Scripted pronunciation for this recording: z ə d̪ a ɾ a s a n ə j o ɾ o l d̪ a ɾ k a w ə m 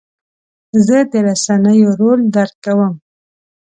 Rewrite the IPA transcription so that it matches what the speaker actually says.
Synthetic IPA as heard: z ə d̪ ə ɾ a s a n ə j o ɾ o l d̪ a ɾ k a w ə m